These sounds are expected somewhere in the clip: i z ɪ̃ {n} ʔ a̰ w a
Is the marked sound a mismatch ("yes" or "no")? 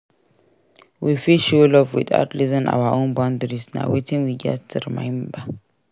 no